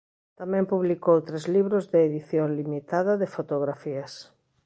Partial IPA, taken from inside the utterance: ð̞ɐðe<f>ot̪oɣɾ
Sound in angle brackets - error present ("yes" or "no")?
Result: no